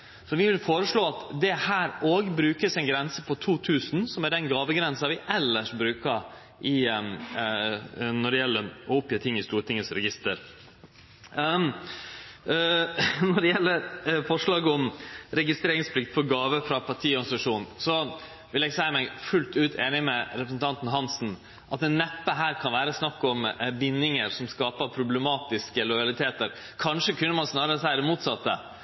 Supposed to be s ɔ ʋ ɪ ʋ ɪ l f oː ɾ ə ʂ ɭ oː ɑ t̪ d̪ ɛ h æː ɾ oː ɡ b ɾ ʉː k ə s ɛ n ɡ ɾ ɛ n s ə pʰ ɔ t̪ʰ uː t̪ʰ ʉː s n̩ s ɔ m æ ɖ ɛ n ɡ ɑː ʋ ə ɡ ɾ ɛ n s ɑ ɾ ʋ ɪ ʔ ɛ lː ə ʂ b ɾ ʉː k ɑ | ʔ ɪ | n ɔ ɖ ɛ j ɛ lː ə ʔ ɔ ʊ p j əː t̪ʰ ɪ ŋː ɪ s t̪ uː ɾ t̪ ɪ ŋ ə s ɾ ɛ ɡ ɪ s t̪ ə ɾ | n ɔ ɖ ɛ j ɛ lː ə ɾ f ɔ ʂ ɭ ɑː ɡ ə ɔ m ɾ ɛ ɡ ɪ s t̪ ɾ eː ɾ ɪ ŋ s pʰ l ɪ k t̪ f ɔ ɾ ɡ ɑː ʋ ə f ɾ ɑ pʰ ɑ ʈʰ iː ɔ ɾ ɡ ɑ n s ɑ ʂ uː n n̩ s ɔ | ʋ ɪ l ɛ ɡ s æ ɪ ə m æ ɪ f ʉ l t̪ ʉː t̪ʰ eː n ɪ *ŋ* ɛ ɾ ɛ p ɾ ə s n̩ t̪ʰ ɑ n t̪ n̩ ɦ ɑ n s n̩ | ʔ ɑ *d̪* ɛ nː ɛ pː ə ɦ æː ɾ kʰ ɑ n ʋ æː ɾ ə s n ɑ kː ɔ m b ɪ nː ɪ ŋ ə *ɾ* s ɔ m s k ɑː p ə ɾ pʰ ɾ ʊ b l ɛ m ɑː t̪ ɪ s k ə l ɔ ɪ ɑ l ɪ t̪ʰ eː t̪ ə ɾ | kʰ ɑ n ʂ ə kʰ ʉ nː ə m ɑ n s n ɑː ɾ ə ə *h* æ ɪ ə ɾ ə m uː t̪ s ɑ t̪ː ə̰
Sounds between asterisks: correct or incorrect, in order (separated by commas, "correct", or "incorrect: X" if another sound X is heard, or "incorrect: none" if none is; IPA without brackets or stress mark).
incorrect: m, incorrect: t̪, correct, incorrect: s